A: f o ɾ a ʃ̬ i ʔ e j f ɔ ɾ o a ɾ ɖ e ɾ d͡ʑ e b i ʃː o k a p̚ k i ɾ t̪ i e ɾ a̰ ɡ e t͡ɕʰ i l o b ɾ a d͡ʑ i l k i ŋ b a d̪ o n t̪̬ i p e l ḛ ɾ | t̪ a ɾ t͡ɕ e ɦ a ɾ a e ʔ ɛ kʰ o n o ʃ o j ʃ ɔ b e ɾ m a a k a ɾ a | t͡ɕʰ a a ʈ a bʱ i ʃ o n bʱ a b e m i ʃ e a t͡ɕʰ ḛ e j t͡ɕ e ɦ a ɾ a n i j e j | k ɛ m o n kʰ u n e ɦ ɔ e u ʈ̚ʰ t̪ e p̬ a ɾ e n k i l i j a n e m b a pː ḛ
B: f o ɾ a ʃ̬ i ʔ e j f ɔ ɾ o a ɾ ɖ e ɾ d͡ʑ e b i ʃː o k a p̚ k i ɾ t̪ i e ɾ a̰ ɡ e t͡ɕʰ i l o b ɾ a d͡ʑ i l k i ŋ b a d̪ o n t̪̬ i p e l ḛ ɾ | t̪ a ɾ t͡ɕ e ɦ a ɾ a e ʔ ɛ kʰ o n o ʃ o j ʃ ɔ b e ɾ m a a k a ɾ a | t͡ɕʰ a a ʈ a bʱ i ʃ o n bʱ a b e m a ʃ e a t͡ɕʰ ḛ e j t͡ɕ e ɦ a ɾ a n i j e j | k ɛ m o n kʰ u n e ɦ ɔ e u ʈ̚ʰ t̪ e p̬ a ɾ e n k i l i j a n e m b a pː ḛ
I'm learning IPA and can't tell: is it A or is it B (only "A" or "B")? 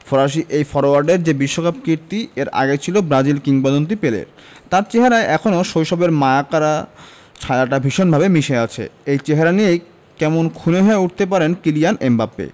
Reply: A